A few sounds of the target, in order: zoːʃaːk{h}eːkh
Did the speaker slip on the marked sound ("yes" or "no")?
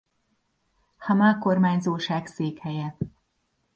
yes